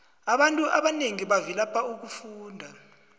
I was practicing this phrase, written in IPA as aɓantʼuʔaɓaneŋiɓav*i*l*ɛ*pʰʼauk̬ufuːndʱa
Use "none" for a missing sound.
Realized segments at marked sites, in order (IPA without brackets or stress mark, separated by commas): i, a